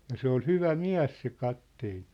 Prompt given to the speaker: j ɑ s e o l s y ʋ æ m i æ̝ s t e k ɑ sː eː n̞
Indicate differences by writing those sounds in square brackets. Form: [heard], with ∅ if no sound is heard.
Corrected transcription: j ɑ s e o l [h] y ʋ æ m i æ̝ s [s] e k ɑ [tː] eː n̞

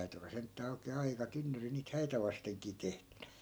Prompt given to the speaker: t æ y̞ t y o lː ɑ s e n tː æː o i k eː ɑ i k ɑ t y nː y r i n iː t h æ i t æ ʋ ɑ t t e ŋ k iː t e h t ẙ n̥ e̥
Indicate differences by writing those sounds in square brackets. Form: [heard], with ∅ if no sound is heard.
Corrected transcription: t æ y̞ t y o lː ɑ s e n tː æː o i k eː ɑ i k ɑ t y nː y r i n iː t h æ i t æ ʋ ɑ [s] t e ŋ k iː t e h t ẙ n̥ [æ̥]

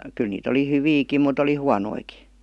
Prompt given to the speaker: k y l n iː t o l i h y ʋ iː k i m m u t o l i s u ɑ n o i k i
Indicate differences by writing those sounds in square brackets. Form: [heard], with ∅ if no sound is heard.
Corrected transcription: k y l n iː t o l i h y ʋ iː k i m m u t o l i [h] u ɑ n o i k i

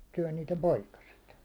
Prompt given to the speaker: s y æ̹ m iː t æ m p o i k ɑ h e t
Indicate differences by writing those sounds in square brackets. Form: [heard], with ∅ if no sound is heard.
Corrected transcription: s y æ̹ [n] iː t [e] m p o i k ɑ [s] e t

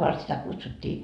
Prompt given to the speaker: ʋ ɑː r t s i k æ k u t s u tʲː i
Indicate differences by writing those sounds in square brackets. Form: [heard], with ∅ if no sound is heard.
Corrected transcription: ʋ [ɑ] r t s i [t] æ k u t s u tʲː [iː]

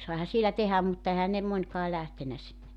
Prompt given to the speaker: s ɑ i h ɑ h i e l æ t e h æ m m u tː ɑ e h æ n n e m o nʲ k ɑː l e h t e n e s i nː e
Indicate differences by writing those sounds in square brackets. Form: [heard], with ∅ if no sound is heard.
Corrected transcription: s ɑ i h ɑ [s] i e l æ t e h æ m m u tː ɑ e h æ n n e m o nʲ k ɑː l [æ] h t e n [æ] s i nː e

